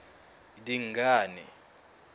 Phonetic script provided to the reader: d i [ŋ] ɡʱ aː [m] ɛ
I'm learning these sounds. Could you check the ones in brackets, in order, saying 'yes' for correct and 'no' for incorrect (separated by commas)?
yes, no